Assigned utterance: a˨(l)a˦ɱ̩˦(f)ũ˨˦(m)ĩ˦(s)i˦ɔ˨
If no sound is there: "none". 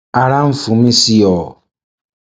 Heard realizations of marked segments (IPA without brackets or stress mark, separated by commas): ɾ, f, m, s